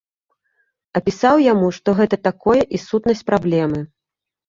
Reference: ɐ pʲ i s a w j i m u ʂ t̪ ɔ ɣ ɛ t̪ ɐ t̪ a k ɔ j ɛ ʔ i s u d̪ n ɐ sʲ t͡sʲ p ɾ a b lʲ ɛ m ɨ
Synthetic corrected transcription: ɐ pʲ i s a w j a m u ʂ t̪ ɔ ɣ ɛ t̪ ɐ t̪ a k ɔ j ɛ ʔ i s u t̪ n ɐ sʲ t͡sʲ p ɾ a b lʲ ɛ m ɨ